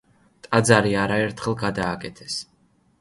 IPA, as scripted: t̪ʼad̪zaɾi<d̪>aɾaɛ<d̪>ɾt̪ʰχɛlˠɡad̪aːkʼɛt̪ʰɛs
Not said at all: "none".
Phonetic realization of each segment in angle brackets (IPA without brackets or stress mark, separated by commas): none, none